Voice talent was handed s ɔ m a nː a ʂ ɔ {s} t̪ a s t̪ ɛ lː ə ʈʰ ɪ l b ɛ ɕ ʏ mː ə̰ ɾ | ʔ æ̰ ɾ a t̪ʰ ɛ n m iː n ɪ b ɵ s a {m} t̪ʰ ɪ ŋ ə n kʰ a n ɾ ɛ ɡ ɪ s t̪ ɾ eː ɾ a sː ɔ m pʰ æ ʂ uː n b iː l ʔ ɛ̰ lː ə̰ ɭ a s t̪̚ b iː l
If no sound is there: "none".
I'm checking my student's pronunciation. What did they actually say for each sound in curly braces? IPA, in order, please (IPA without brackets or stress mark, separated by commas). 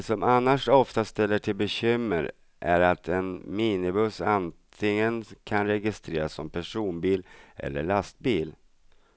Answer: f, n